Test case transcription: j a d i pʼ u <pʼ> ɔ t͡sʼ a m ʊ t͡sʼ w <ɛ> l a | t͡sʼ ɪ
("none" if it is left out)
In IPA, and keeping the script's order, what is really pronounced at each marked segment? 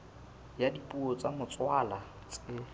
none, a

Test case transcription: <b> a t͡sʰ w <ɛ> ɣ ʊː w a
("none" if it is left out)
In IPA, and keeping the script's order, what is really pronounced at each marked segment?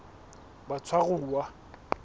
b, a

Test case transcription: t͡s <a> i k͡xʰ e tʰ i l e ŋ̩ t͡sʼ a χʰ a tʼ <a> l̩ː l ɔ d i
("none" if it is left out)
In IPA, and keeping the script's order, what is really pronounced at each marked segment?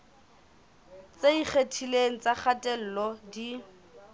e, ɛ

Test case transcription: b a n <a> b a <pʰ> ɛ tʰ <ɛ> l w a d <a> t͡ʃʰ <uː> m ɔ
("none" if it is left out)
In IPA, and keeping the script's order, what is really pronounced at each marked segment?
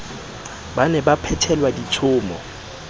ɛ, pʰ, ɛ, i, ʊː

